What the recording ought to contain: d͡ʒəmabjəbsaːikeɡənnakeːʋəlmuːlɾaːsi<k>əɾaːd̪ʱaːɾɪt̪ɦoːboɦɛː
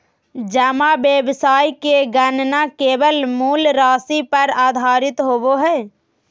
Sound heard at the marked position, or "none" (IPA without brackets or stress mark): p